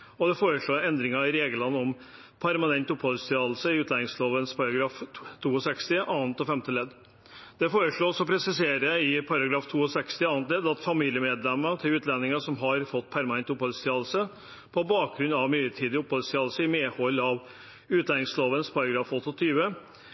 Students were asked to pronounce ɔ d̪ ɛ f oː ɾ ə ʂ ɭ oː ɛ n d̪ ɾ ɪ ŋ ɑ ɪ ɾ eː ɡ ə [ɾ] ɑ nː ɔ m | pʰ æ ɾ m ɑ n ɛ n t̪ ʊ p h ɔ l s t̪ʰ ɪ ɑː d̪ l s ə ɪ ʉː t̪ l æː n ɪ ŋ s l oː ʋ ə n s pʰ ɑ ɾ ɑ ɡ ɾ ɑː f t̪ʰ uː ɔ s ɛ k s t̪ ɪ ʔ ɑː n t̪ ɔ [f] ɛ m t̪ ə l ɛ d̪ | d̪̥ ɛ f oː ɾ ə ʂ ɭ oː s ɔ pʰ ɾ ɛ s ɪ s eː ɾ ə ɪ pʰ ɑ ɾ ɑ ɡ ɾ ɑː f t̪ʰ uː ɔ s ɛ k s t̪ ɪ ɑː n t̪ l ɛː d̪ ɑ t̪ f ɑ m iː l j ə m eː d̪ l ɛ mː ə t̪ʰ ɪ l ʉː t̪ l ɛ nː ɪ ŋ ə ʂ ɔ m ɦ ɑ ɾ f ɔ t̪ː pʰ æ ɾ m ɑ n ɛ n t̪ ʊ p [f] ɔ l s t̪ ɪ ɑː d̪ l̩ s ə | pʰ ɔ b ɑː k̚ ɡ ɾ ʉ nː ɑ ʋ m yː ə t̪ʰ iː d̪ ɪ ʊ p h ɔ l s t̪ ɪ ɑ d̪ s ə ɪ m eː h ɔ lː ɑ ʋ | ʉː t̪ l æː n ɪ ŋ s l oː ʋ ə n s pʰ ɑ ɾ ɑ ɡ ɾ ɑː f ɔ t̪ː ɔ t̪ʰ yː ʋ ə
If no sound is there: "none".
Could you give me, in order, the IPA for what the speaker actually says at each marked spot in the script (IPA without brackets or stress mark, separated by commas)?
l, f, h